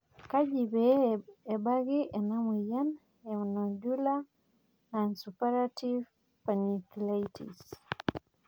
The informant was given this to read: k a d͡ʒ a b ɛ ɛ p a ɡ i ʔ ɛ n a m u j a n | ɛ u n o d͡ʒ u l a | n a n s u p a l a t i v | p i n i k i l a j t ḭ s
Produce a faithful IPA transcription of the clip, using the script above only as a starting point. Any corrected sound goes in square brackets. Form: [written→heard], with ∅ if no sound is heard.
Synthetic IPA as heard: k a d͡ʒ [a→i] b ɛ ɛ [p→b] a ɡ i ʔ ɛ n a m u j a n | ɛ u n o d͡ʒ u l a | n a n s u p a [l→ɾ] a t i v | p [i→a] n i k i l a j t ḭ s